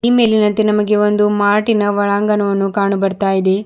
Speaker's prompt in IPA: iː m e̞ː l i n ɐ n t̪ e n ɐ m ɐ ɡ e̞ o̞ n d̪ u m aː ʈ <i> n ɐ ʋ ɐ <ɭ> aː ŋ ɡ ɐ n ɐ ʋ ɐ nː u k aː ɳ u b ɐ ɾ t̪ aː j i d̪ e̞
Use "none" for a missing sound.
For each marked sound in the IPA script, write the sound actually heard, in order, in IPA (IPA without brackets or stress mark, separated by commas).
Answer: i, ɭ